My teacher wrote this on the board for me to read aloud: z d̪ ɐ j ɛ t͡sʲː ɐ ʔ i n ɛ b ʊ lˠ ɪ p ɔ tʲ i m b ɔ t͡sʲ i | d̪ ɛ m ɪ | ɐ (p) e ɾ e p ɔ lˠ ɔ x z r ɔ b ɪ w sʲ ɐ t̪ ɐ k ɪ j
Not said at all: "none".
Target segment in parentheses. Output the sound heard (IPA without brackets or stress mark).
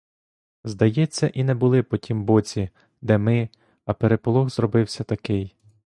p